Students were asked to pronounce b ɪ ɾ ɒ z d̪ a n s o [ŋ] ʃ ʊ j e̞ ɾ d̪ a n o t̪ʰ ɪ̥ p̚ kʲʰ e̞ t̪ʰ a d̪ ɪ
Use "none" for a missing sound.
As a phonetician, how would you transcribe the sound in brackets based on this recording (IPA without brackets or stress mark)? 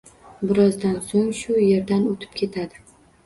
ŋ